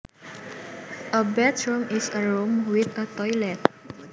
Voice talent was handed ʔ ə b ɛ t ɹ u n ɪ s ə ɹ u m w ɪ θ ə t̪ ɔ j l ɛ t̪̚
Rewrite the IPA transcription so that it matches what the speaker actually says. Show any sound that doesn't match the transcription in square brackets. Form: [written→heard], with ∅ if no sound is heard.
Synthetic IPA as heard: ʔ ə b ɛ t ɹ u [n→m] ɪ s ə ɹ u m w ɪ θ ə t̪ ɔ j l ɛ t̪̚